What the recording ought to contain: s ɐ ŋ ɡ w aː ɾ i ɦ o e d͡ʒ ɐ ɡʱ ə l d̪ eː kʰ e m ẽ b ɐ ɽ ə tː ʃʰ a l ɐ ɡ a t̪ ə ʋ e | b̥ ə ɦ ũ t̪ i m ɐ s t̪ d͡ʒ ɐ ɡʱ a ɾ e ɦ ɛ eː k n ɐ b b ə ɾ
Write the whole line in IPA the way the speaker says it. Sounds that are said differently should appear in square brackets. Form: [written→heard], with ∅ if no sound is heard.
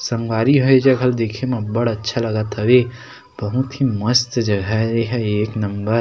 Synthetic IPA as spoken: s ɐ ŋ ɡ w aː ɾ i ɦ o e d͡ʒ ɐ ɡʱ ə l d̪ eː kʰ e m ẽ b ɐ ɽ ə tː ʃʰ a l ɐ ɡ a t̪ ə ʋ e | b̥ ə ɦ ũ t̪ i m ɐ s t̪ d͡ʒ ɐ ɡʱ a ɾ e ɦ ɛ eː k n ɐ [b→m] b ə ɾ